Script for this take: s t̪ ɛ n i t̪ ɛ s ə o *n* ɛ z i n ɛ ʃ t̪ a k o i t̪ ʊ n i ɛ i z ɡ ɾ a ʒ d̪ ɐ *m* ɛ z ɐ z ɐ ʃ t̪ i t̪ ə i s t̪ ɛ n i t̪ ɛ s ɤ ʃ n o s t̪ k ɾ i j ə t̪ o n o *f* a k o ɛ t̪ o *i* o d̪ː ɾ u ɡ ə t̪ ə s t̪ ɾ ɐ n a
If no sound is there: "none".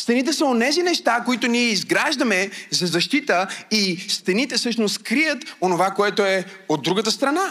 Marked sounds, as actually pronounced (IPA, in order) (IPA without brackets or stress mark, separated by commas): n, m, v, ɛ